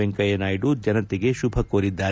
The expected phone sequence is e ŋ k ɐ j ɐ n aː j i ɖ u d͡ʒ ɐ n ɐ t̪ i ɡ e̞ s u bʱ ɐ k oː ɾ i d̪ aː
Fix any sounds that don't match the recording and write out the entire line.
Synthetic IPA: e ŋ k ɐ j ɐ n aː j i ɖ u d͡ʒ ɐ n ɐ t̪ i ɡ e̞ ʃ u bʱ ɐ k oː ɾ i d̪ː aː